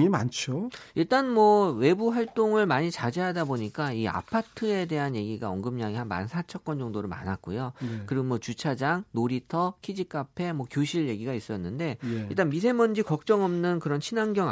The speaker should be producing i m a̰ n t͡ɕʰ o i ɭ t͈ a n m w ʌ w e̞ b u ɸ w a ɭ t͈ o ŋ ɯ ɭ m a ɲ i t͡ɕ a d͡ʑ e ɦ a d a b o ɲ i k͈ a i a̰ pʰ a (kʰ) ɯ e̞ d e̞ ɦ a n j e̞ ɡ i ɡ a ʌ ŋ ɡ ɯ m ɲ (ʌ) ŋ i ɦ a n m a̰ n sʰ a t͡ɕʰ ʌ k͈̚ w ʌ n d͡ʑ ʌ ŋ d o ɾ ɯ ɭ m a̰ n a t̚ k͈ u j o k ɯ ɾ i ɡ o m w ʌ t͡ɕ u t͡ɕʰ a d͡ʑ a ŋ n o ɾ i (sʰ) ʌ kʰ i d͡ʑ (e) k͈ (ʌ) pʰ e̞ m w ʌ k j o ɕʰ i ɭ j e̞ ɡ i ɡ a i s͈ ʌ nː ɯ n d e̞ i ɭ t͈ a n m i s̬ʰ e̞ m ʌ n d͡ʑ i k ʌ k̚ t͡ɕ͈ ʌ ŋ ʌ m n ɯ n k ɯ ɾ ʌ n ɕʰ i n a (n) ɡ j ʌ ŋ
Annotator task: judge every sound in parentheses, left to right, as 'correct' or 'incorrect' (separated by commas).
incorrect, incorrect, incorrect, incorrect, incorrect, incorrect